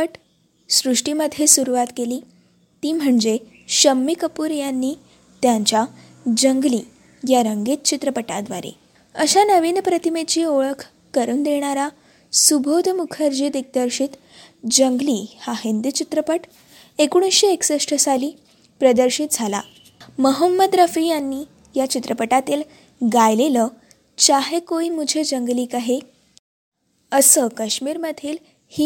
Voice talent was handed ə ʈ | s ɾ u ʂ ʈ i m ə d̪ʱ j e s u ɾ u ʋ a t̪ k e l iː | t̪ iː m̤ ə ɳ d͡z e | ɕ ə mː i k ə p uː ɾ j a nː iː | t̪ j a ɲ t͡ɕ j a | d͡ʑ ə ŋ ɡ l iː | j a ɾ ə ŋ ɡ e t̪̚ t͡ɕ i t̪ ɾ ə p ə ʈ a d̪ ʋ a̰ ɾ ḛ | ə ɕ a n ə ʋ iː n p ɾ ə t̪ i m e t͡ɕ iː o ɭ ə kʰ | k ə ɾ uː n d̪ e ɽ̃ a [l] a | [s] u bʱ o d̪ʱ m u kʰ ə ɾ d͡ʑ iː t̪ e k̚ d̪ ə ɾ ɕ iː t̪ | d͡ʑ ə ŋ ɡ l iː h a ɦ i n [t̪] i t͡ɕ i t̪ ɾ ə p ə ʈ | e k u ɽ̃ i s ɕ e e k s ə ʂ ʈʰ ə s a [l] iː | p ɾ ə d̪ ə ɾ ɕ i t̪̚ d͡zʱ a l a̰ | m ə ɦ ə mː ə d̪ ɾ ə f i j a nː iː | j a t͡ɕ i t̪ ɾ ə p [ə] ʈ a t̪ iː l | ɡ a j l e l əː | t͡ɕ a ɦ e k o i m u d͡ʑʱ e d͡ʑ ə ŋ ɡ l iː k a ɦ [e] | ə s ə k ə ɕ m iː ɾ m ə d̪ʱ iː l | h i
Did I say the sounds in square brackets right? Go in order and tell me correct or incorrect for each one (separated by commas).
incorrect, correct, incorrect, correct, correct, correct